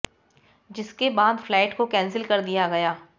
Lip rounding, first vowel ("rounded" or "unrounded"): unrounded